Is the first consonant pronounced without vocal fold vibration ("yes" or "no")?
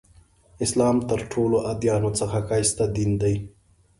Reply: yes